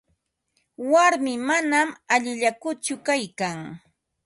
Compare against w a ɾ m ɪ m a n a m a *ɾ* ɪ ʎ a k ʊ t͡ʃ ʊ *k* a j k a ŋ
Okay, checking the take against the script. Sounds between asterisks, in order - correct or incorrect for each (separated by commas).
incorrect, correct